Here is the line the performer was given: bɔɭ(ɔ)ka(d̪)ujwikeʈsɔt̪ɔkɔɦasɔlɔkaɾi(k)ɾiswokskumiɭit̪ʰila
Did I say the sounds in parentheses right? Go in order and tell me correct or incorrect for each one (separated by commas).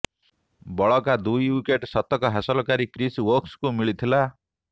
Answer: correct, correct, correct